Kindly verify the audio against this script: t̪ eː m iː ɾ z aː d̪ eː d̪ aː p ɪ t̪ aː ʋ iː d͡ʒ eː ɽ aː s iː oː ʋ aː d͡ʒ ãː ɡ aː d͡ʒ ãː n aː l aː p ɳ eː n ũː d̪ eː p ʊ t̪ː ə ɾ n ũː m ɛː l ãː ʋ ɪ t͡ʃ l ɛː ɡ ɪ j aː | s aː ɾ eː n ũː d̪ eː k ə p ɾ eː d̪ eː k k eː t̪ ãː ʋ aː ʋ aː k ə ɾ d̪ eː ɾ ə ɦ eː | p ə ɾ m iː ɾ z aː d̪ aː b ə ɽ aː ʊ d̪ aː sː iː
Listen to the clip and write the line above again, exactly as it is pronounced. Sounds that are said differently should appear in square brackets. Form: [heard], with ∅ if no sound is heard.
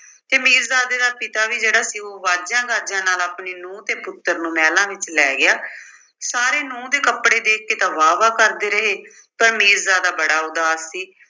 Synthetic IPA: t̪ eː m iː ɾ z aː d̪ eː d̪ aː p ɪ t̪ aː ʋ iː d͡ʒ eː ɽ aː s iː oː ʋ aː d͡ʒ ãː ɡ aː d͡ʒ ãː n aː l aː p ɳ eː n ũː [t̪] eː p ʊ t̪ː ə ɾ n ũː m ɛː l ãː ʋ ɪ t͡ʃ l ɛː ɡ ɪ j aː | s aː ɾ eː n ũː d̪ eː k ə p [ɽ] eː d̪ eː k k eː t̪ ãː ʋ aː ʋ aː k ə ɾ d̪ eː ɾ ə ɦ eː | p ə ɾ m iː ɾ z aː d̪ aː b ə ɽ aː ʊ d̪ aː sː iː

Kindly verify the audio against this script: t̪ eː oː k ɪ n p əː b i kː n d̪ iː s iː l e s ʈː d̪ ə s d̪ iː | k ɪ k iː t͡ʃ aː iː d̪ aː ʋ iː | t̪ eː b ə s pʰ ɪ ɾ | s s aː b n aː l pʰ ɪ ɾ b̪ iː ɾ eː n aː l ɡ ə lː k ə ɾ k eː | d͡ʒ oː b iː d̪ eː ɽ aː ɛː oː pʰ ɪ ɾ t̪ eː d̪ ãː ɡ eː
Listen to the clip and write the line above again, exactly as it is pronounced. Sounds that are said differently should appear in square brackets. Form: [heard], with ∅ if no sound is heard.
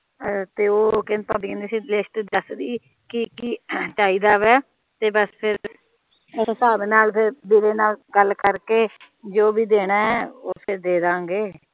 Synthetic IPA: t̪ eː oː k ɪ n p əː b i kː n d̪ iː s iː l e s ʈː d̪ ə s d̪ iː | k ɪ k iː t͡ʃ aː iː d̪ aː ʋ [ɛː] | t̪ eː b ə s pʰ ɪ ɾ | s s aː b n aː l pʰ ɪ ɾ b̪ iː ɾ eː n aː l ɡ ə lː k ə ɾ k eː | d͡ʒ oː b iː d̪ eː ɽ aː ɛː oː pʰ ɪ ɾ [d̪] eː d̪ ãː ɡ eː

